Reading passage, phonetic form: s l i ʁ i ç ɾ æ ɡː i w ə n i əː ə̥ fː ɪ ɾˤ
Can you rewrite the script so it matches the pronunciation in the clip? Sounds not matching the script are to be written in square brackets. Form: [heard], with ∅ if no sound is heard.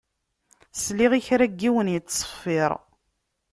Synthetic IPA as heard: s l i ʁ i ç ɾ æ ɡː i w ə n [j] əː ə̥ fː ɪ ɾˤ